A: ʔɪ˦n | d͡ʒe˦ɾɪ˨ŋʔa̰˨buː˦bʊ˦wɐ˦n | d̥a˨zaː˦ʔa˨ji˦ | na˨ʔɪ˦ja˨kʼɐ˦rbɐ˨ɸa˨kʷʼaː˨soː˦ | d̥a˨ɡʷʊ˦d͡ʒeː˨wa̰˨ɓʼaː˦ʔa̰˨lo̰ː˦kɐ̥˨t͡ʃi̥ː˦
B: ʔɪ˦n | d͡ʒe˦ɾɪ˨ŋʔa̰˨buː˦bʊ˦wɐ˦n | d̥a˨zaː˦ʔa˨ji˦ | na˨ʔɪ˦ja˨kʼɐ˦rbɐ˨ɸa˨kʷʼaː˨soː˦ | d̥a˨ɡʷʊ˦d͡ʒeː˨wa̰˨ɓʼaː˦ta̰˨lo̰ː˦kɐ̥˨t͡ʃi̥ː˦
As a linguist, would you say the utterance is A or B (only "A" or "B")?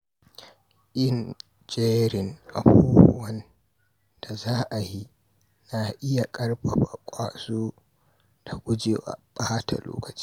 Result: B